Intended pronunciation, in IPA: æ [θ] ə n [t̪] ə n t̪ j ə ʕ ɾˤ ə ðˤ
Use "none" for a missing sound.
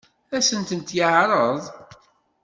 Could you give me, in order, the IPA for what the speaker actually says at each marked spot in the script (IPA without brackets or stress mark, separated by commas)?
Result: s, t̪